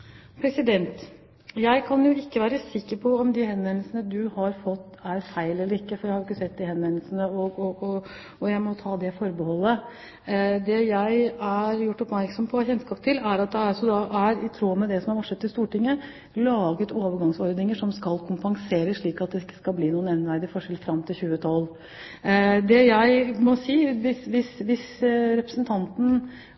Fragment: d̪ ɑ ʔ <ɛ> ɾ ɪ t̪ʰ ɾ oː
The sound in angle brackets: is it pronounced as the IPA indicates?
no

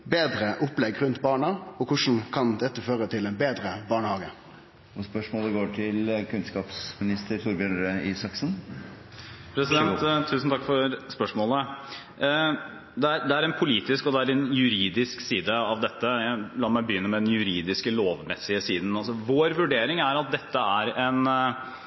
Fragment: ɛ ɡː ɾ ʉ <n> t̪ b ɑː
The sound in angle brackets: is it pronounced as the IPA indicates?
yes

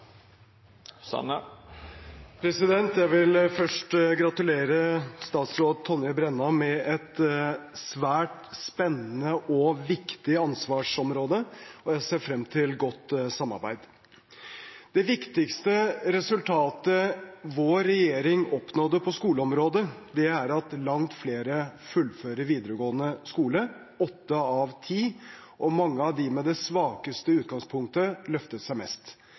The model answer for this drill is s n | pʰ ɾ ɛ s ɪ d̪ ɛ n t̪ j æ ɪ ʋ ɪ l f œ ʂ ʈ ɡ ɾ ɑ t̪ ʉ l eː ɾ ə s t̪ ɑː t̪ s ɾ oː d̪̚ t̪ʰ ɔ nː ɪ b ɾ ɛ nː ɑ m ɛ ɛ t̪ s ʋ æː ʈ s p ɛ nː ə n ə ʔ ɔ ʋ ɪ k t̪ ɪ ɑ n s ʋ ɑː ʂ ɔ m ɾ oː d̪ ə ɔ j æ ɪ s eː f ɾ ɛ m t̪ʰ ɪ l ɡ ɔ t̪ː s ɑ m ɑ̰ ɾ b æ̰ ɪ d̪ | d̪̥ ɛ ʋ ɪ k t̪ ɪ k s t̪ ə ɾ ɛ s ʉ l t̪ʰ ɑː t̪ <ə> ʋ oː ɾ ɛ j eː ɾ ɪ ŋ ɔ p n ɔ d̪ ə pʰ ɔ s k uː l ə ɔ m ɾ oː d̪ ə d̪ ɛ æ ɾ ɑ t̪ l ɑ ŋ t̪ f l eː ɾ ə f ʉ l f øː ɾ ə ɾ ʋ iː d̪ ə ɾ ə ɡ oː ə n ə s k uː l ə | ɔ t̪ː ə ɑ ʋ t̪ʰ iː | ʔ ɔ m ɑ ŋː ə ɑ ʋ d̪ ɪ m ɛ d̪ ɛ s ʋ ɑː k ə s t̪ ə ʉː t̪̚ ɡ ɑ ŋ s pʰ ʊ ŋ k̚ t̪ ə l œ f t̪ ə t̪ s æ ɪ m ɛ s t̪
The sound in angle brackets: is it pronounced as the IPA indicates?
yes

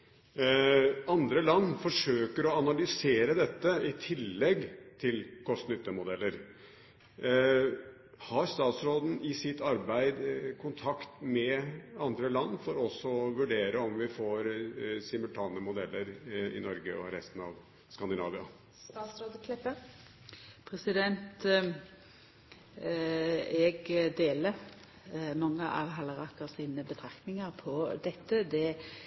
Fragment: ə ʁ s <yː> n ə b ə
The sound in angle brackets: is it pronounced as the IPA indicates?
no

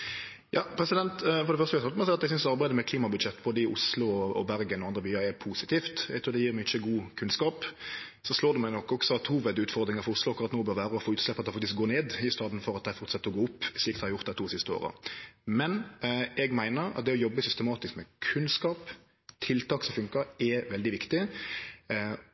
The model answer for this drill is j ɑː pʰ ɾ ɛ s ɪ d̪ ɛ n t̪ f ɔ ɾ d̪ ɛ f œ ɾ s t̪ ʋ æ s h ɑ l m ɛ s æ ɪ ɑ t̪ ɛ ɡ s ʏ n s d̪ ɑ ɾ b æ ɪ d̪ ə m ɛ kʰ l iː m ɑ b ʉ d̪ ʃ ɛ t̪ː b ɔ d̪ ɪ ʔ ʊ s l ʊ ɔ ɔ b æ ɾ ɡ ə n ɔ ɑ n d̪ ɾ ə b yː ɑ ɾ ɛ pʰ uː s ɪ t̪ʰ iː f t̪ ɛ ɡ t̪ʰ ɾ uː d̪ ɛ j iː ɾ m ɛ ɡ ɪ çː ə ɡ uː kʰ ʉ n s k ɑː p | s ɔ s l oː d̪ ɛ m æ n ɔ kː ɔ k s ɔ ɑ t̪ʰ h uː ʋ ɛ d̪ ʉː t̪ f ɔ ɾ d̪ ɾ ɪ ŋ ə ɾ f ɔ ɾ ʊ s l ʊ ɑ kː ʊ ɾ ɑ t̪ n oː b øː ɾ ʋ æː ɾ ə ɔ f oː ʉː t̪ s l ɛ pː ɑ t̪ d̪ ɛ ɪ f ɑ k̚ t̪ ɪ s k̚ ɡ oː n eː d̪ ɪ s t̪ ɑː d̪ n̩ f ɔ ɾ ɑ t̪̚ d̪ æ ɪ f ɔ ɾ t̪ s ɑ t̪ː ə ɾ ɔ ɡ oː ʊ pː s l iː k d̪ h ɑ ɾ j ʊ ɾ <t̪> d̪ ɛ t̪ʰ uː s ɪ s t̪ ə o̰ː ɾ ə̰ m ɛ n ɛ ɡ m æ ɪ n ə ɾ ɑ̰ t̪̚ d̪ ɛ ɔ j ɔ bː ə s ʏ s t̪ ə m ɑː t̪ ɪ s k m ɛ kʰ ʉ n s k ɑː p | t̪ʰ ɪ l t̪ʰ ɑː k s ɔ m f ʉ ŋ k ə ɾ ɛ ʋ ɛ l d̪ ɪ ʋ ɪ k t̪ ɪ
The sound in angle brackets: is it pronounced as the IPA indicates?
yes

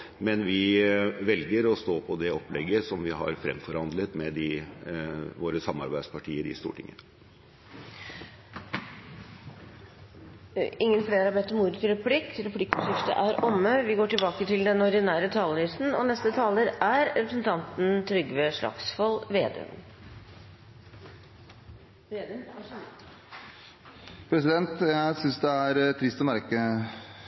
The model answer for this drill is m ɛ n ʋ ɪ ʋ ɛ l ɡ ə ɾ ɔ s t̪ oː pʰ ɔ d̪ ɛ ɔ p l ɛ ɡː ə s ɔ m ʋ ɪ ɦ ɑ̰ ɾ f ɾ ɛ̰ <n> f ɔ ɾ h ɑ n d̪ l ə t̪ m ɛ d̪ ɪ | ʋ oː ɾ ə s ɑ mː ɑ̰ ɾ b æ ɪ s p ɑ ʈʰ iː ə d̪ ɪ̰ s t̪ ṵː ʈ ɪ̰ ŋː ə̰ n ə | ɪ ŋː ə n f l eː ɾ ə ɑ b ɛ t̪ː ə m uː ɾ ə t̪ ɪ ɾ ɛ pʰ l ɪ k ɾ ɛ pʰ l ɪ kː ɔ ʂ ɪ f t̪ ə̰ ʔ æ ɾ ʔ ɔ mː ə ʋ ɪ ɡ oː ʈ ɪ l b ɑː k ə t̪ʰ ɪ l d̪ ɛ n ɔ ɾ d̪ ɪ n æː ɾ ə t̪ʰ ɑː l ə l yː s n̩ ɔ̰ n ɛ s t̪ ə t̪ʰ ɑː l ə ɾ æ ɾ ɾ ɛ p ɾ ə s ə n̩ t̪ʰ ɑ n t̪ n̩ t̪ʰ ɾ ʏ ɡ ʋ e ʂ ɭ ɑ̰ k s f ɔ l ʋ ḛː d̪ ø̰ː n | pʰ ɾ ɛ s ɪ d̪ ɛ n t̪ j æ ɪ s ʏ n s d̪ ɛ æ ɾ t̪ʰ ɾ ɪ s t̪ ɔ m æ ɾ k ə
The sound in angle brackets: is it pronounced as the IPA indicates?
no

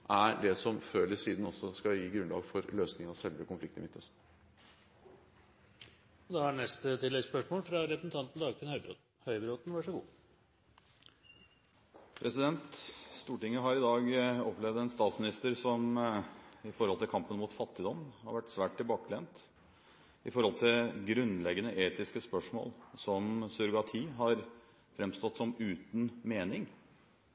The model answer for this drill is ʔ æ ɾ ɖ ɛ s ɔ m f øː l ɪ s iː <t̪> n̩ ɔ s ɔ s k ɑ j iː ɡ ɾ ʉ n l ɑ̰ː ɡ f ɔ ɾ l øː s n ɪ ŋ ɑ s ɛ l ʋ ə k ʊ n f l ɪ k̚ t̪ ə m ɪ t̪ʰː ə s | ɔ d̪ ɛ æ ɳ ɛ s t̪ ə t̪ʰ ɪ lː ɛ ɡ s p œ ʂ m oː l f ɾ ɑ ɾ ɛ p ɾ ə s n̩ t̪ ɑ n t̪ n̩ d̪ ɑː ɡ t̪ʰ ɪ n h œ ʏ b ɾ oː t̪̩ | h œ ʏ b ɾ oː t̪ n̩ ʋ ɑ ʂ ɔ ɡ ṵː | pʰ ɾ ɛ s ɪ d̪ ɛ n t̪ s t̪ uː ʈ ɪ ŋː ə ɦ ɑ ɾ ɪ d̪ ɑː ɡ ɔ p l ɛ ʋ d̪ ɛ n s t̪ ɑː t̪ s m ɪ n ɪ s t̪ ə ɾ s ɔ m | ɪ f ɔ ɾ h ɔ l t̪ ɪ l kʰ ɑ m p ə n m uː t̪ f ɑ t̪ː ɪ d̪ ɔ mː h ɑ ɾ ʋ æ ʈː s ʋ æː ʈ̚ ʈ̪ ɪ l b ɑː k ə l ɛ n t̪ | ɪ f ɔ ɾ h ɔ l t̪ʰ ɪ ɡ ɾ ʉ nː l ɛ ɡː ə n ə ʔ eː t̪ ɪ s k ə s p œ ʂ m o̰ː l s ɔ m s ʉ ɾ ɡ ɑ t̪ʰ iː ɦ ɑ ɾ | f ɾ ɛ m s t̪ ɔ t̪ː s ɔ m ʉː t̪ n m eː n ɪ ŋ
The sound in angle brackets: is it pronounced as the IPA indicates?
no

